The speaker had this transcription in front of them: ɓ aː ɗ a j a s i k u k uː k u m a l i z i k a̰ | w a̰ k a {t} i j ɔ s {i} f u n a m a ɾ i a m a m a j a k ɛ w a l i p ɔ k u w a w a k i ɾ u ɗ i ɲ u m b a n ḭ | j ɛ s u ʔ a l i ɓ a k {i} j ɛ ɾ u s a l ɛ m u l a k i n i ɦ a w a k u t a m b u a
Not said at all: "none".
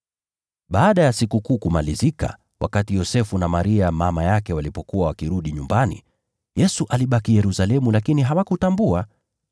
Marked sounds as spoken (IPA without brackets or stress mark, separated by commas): t, ɛ, i